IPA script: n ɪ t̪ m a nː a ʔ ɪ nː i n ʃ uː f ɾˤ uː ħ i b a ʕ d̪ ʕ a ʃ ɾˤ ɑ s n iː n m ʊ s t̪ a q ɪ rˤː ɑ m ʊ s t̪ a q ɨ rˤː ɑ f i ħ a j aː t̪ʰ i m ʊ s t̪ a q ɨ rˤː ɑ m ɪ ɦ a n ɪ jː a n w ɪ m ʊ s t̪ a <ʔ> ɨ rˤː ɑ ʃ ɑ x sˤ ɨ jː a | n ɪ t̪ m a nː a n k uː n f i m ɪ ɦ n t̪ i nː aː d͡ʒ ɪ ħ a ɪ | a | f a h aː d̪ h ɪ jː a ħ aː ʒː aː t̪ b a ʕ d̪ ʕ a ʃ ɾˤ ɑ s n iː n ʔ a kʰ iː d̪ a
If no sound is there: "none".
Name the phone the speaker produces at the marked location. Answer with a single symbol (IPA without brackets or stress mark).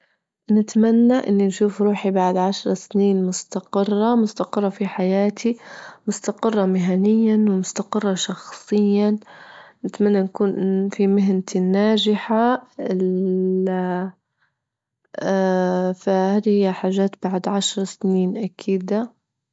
q